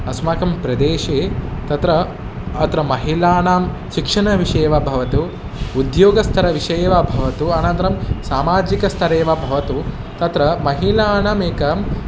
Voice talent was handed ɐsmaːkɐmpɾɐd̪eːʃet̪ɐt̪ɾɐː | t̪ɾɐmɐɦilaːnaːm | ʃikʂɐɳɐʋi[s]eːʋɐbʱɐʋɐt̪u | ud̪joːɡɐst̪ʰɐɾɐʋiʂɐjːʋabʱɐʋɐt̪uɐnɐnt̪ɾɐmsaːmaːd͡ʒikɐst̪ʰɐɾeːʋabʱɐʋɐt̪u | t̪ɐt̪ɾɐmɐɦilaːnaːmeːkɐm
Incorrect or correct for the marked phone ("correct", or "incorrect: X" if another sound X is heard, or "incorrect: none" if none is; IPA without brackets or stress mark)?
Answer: incorrect: ʂ